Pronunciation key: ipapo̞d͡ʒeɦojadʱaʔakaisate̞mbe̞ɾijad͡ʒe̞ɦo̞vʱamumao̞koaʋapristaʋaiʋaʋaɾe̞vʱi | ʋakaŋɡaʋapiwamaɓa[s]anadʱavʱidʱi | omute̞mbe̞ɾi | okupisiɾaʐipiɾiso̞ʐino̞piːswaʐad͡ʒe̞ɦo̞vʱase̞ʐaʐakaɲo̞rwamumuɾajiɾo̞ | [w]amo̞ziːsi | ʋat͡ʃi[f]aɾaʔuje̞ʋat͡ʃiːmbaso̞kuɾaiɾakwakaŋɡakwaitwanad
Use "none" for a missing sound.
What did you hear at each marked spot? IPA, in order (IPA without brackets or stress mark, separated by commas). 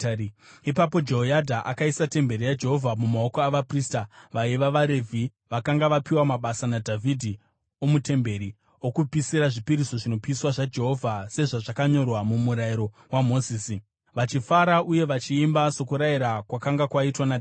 s, w, f